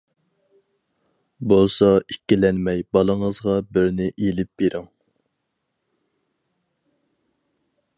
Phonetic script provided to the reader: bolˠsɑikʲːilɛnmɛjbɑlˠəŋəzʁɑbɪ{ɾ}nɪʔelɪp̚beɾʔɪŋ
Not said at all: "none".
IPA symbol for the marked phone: ɾ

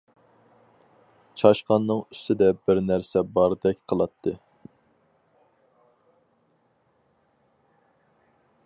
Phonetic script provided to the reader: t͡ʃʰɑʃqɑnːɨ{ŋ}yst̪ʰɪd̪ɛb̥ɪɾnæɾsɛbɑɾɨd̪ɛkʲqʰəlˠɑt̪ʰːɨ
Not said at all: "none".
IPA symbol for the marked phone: ŋ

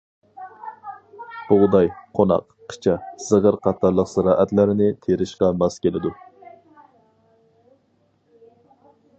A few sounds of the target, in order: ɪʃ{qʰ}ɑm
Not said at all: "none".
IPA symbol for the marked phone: q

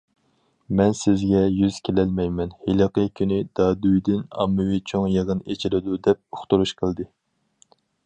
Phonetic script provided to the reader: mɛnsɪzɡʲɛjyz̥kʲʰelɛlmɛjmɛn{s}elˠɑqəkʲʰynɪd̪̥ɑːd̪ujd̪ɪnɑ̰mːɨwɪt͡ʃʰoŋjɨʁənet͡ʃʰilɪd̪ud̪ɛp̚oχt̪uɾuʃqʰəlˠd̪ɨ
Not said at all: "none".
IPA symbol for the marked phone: h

